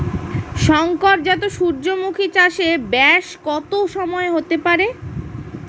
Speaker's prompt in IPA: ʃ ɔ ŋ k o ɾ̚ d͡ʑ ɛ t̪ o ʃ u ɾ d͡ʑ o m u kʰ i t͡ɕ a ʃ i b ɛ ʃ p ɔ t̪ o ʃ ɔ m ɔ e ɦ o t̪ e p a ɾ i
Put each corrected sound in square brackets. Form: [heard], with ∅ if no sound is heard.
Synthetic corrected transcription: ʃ ɔ ŋ k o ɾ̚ d͡ʑ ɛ t̪ o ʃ u ɾ d͡ʑ o m u kʰ i t͡ɕ a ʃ [e] b ɛ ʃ [k] ɔ t̪ o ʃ ɔ m ɔ e ɦ o t̪ e p a ɾ [e]